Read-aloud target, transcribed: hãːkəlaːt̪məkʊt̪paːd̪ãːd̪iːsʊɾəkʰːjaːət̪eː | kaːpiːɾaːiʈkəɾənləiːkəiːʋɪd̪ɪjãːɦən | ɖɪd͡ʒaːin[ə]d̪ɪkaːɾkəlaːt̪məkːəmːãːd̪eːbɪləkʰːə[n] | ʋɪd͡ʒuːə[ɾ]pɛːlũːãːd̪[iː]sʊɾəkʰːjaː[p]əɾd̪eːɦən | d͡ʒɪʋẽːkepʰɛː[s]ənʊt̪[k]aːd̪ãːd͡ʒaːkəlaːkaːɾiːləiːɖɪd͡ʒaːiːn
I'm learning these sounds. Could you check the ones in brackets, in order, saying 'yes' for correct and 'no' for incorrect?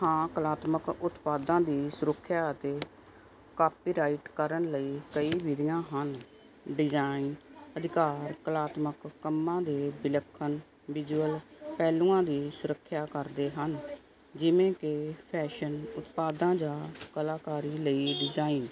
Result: yes, yes, no, yes, no, no, no

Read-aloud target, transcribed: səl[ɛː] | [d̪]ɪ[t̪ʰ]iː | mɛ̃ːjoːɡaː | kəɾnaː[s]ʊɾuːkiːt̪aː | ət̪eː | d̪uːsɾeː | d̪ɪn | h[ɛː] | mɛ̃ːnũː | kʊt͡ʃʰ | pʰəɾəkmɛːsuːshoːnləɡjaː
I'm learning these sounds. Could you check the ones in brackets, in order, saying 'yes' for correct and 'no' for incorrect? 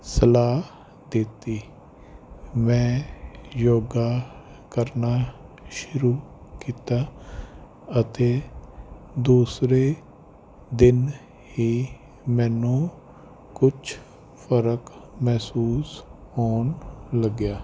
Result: no, yes, no, no, no

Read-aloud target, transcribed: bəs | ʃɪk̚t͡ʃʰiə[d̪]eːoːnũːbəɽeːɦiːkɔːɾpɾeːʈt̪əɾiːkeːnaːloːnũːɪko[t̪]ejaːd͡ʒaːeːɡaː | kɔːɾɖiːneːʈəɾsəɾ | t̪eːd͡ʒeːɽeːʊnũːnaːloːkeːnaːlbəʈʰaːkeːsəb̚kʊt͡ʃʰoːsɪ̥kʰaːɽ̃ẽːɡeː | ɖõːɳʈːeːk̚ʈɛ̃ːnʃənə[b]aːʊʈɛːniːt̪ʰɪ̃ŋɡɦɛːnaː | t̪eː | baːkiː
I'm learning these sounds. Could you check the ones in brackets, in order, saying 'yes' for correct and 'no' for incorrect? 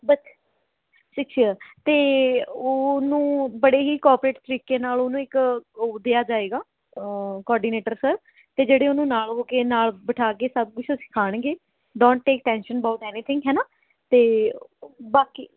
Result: no, no, yes

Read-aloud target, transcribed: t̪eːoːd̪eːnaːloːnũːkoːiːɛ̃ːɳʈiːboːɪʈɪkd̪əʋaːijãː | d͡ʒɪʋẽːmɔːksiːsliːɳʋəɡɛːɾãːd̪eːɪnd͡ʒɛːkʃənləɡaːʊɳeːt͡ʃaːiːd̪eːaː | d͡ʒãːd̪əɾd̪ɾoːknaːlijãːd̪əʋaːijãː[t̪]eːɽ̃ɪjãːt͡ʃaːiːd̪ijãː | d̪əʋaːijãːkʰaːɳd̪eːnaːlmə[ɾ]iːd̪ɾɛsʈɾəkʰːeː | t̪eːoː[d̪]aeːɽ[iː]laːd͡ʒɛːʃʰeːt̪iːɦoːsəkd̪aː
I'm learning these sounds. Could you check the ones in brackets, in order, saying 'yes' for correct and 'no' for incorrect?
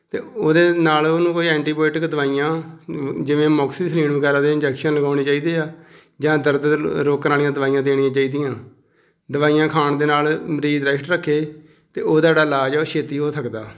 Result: no, yes, yes, no

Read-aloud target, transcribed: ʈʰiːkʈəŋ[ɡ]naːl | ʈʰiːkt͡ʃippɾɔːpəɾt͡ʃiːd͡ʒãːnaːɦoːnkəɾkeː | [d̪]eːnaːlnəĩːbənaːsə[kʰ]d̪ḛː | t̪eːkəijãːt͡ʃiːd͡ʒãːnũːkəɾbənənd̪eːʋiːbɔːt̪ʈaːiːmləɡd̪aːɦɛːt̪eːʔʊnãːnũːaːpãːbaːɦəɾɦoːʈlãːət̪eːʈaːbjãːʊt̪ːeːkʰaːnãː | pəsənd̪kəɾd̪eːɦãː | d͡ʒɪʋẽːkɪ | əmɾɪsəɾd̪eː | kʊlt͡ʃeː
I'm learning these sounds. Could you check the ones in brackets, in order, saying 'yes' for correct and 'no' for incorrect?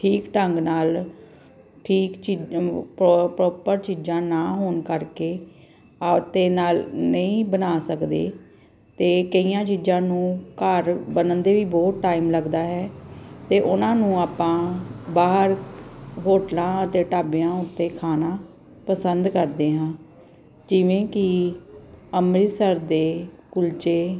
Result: yes, no, no

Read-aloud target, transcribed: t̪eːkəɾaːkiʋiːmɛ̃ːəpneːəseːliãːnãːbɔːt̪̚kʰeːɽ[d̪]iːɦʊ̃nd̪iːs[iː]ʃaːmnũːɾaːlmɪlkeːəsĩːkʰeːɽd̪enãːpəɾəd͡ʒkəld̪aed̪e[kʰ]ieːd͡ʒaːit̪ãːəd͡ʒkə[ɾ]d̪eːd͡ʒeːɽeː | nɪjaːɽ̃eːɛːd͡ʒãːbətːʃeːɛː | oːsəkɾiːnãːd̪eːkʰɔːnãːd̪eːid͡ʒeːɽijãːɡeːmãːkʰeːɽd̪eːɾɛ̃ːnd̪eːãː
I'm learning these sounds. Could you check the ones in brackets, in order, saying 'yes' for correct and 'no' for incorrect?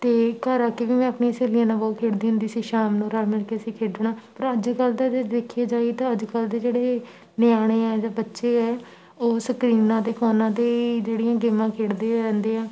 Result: yes, yes, yes, no

